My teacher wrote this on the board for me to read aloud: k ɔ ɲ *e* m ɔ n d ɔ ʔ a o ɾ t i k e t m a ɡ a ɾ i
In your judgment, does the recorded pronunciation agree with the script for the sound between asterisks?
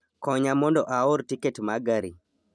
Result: no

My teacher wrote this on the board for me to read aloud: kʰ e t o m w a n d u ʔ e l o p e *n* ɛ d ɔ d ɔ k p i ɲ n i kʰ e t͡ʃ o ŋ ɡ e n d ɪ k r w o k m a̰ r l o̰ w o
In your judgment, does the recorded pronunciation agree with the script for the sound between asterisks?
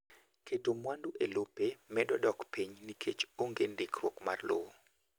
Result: no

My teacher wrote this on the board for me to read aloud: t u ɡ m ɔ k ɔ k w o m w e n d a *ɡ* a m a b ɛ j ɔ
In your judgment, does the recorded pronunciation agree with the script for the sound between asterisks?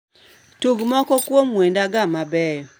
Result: yes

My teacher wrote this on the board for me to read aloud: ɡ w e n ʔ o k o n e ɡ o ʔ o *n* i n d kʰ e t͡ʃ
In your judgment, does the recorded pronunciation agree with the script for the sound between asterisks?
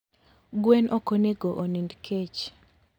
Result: yes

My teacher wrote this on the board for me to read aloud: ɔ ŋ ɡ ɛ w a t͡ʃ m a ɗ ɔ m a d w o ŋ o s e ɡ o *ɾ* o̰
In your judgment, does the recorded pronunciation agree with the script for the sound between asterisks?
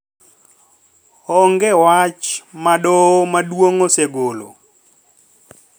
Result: no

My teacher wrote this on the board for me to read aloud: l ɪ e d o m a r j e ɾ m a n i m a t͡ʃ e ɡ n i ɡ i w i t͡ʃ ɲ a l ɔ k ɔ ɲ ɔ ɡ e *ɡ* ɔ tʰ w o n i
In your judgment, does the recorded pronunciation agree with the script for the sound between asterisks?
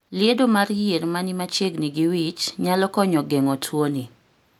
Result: no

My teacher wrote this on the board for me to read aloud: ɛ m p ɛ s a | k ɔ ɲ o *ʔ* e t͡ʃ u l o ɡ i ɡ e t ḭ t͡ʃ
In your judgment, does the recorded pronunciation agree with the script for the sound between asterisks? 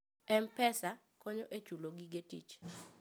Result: yes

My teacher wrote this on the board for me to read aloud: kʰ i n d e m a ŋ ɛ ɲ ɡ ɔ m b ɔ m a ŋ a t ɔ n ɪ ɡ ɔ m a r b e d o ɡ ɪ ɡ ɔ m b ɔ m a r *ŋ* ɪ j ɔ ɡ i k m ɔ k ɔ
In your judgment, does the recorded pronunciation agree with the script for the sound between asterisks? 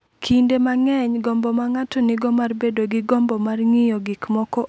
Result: yes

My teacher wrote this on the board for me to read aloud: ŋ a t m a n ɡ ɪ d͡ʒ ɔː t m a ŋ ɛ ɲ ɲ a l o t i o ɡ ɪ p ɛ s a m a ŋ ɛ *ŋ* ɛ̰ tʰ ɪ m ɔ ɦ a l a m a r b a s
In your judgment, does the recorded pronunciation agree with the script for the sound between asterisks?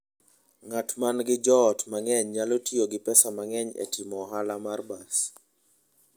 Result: no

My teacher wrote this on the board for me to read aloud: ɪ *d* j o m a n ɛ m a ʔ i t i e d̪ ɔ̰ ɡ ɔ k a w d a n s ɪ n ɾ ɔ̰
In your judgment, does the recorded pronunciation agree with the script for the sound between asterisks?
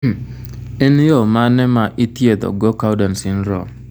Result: no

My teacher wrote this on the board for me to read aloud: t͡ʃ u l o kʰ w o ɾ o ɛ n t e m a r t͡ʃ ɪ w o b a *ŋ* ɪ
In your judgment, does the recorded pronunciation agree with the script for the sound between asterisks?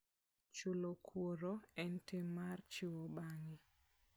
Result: yes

